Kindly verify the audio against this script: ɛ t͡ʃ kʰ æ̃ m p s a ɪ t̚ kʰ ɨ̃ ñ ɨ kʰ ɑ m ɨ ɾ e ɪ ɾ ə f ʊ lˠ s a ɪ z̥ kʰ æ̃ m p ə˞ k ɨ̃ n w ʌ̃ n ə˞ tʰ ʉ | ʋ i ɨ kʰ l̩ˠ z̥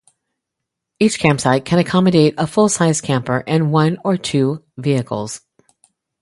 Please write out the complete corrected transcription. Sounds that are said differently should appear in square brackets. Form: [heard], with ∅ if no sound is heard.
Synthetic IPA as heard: [i] t͡ʃ kʰ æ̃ m p s a ɪ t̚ kʰ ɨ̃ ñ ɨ kʰ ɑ m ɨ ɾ e ɪ ɾ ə f ʊ lˠ s a ɪ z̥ kʰ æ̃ m p ə˞ [ʔ] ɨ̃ n w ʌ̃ n ə˞ tʰ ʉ | [v] i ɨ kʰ l̩ˠ z̥